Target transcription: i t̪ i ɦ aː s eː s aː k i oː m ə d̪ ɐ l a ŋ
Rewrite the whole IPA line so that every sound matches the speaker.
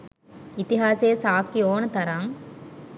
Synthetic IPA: i t̪ i ɦ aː s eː s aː k i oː n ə t̪ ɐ ɾ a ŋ